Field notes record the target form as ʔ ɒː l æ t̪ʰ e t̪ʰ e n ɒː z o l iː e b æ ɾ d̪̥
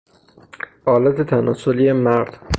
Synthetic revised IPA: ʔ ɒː l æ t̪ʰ e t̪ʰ æ n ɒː s o l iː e m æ ɾ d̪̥